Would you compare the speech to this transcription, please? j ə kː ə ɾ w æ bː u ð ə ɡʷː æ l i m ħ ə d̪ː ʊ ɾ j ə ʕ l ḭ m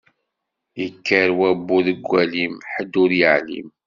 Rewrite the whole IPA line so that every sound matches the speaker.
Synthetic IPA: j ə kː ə ɾ w æ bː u ð ə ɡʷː æ l i m ħ ə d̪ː ʊ ɾ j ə ʕ l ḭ m

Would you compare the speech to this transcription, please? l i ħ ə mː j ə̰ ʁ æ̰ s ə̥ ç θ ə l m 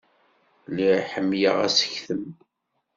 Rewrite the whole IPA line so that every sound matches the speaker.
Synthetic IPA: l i ħ ə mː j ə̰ ʁ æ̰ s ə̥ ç θ ə m

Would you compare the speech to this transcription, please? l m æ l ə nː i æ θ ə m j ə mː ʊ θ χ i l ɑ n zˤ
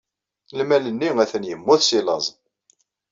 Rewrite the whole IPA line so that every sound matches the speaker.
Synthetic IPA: l m æ l ə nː i æ θ ə n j ə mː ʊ θ s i l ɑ zˤ

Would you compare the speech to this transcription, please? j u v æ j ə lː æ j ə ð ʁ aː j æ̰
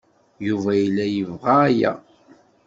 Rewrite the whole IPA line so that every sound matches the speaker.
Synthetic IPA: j u v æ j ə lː æ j ə v ʁ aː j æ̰

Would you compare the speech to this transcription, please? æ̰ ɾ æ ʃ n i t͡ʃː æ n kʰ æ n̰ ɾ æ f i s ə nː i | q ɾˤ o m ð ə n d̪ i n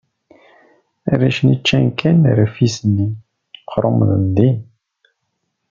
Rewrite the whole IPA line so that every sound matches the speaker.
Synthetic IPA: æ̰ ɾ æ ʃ n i t͡ʃː æ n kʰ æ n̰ ɾ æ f i s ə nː i | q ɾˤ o m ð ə n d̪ i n

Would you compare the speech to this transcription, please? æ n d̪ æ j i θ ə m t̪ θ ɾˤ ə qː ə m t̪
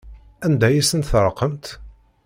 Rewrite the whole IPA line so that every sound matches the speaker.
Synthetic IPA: æ n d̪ æ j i s ə n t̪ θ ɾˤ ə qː ə m t̪

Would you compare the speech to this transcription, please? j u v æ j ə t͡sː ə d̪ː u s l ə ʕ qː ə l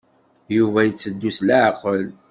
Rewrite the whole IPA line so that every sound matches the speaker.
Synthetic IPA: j u v æ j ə t͡sː ə d̪ː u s l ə ʕ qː ə l

